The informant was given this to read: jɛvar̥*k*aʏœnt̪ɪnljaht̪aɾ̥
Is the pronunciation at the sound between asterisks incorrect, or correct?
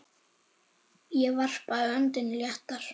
incorrect